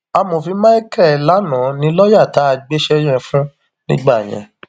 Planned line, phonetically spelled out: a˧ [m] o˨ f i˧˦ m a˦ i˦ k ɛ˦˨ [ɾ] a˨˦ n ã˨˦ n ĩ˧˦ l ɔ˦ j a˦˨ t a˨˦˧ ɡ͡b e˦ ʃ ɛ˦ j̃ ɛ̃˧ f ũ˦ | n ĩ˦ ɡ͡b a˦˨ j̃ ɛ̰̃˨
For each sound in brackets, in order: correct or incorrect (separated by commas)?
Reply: correct, incorrect